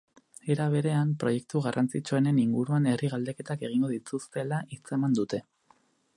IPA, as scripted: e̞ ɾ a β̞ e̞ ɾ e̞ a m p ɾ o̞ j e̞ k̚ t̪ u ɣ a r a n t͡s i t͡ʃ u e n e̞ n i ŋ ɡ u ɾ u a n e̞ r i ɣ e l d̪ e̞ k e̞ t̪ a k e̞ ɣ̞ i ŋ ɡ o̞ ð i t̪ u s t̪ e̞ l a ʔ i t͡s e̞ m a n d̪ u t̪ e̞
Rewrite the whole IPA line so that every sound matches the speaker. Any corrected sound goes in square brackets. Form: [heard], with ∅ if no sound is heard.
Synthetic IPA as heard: e̞ ɾ a β̞ e̞ ɾ e̞ a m p ɾ o̞ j e̞ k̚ t̪ u ɣ a r a n t͡s i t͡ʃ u e n e̞ n i ŋ ɡ u ɾ u a n e̞ r i ɣ [a] l d̪ e̞ k e̞ t̪ a k e̞ ɣ̞ i ŋ ɡ o̞ ð i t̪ u s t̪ e̞ l a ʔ i t͡s e̞ m a n d̪ u t̪ e̞

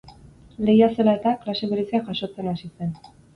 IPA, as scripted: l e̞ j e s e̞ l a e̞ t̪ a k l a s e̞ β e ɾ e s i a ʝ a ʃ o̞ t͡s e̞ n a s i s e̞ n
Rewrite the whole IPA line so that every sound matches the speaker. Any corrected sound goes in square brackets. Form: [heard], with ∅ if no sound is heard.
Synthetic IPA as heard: l e̞ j [a] s e̞ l a e̞ t̪ a k l a s e̞ β e ɾ e s i a ʝ a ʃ o̞ t͡s e̞ n a s i s e̞ n

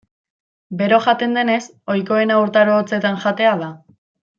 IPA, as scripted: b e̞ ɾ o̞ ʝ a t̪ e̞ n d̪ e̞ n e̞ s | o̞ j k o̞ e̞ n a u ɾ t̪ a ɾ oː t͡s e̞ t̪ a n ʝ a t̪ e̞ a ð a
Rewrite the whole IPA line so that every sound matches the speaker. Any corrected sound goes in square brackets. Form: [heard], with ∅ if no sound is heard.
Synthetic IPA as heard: b e̞ ɾ o̞ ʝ a t̪ e̞ n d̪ e̞ n e̞ s | o̞ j k o̞ e̞ n a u ɾ t̪ a ɾ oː t͡s e̞ t̪ a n ʝ a t̪ e̞ a ð a

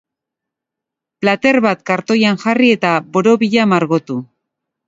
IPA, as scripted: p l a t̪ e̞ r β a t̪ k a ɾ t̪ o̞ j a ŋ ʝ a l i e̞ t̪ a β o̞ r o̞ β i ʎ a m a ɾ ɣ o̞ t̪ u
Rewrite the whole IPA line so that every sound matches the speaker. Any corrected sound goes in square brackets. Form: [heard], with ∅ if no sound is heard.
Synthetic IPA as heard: p l a t̪ e̞ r β a t̪ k a ɾ t̪ o̞ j a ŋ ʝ a [r] i e̞ t̪ a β o̞ [ɾ] o̞ β i ʎ a m a ɾ ɣ o̞ t̪ u

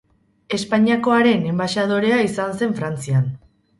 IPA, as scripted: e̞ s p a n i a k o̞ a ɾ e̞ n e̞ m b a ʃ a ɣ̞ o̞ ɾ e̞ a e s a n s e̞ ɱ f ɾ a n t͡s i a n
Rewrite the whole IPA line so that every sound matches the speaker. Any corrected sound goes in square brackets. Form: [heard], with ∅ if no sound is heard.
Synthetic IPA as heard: e̞ s p a [ɲ] i a k o̞ a ɾ e̞ n e̞ m b a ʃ a [ð̞] o̞ ɾ e̞ a [i] s a n s e̞ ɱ f ɾ a n t͡s i a n

